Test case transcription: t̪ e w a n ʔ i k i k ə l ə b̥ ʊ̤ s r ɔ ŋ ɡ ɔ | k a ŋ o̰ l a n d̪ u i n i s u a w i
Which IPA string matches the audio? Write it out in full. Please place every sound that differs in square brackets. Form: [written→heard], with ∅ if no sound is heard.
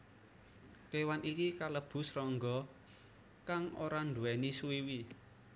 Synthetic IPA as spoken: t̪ e w a n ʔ i k i k [ə→a] l ə b̥ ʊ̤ s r ɔ ŋ ɡ ɔ | k a ŋ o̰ [l→ɾ] a n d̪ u [i→ɛ] n i s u [a→i] w i